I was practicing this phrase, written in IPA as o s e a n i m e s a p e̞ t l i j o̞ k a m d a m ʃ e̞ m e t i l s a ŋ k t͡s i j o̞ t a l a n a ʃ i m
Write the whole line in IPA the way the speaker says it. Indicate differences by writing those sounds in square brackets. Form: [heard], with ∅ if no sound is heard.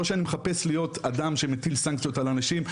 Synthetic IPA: o [ʃ] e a n i m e [χ] a p e̞ [s] l i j o̞ [t] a [∅] d a m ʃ e̞ m e t i l s a ŋ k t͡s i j o̞ t a l a n a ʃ i m